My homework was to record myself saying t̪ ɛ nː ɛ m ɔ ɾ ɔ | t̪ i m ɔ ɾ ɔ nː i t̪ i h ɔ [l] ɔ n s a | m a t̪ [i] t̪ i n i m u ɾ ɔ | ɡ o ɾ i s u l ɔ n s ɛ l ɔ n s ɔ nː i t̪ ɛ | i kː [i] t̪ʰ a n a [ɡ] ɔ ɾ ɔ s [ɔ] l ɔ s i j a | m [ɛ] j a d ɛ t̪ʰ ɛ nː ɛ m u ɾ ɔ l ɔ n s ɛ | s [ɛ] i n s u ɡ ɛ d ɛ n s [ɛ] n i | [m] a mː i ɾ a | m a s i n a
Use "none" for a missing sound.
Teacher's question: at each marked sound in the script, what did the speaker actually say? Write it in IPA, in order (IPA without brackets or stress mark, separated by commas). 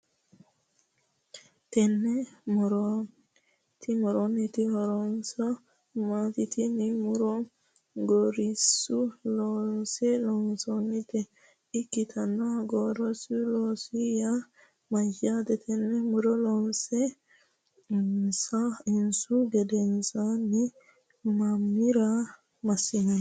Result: ɾ, i, i, ɡ, u, a, a, a, m